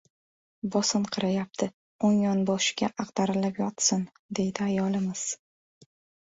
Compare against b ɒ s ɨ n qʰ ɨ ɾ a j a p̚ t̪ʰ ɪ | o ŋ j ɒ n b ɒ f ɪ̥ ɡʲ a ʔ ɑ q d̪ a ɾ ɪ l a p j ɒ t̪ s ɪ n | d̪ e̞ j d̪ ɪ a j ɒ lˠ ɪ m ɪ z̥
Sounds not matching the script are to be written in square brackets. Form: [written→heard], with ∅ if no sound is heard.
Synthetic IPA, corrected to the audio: b ɒ s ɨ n qʰ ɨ ɾ a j a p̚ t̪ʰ ɪ | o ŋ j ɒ n b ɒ [f→ʃ] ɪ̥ ɡʲ a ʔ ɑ q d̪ a ɾ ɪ l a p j ɒ t̪ s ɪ n | d̪ e̞ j d̪ ɪ a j ɒ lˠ ɪ m ɪ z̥